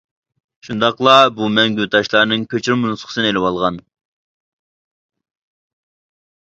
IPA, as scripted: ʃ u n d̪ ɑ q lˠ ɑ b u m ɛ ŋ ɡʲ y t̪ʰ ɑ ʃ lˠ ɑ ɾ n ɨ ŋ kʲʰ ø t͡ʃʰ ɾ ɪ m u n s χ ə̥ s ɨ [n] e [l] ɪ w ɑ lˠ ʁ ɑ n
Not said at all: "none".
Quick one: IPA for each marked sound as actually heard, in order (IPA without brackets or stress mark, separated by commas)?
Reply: n, l